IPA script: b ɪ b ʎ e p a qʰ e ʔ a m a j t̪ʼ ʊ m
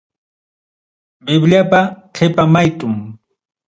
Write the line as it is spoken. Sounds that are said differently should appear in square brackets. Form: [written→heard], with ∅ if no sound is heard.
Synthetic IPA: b ɪ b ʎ [e→a] p a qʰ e [ʔ→p] a m a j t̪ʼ ʊ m